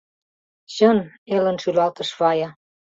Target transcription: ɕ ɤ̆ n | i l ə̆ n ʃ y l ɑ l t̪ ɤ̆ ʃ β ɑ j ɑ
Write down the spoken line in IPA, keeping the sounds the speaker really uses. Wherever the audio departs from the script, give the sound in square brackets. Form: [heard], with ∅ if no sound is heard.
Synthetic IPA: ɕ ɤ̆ n | [e] l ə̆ n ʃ y l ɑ l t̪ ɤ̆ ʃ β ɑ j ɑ